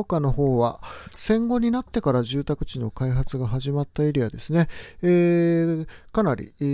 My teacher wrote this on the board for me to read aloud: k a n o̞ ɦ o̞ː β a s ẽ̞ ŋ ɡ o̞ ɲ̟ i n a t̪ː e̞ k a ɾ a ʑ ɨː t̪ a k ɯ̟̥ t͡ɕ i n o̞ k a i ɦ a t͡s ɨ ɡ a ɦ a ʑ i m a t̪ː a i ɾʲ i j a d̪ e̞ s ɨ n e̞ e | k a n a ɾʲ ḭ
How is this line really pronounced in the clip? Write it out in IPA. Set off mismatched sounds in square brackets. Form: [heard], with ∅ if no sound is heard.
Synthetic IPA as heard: k a n o̞ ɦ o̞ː β a s ẽ̞ ŋ ɡ o̞ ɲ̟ i n a t̪ː e̞ k a ɾ a ʑ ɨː t̪ a k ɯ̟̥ t͡ɕ i n o̞ k a i ɦ a t͡s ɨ ɡ a ɦ a ʑ i m a t̪ː a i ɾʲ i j a d̪ e̞ s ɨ n e̞ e | k a n a ɾʲ ḭ

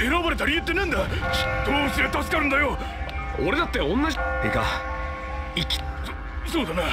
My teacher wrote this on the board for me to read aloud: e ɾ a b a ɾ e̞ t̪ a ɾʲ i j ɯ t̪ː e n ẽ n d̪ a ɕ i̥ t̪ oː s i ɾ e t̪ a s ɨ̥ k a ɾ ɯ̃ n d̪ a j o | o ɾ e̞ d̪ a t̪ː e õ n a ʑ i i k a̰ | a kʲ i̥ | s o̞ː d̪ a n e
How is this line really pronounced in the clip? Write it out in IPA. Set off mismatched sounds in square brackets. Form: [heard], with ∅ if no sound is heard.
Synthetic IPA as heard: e ɾ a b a ɾ e̞ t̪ a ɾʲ i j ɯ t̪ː e n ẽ n d̪ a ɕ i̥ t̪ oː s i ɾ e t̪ a s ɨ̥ k a ɾ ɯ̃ n d̪ a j o | o ɾ e̞ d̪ a t̪ː e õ [nː] a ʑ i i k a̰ | [i] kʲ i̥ | s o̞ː d̪ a n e

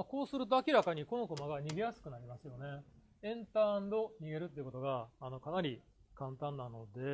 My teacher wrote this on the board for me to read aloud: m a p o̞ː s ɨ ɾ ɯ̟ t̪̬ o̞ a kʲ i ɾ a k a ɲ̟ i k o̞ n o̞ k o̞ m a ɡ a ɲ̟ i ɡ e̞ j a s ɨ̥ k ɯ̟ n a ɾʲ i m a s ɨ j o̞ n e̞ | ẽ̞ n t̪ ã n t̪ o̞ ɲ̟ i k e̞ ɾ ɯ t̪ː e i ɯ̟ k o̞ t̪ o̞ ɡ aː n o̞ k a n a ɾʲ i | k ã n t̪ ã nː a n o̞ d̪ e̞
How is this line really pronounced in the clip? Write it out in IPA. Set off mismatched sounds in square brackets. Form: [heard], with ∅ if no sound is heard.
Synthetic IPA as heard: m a [k] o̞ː s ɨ ɾ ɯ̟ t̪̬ o̞ a kʲ i ɾ a k a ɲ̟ i k o̞ n o̞ k o̞ m a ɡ a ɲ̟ i ɡ e̞ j a s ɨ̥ k ɯ̟ n a ɾʲ i m a s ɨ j o̞ n e̞ | ẽ̞ n t̪ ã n [d̪] o̞ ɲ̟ i [ɡ] e̞ ɾ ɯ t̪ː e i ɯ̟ k o̞ t̪ o̞ ɡ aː n o̞ k a n a ɾʲ i | k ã n t̪ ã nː a n o̞ d̪ e̞

